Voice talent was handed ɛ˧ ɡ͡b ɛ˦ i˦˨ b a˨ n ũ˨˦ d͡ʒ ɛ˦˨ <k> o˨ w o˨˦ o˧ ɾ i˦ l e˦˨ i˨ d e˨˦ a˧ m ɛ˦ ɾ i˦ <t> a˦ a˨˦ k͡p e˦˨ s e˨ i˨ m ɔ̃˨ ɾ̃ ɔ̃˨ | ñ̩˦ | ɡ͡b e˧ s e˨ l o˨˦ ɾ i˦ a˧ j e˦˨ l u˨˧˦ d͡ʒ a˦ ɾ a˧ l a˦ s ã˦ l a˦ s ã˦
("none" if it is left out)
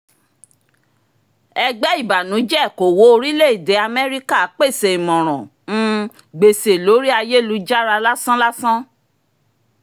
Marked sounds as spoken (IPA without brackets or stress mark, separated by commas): k, k